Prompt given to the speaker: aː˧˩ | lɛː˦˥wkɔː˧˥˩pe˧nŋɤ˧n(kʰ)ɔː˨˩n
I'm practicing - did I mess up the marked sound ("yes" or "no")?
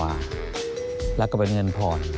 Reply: yes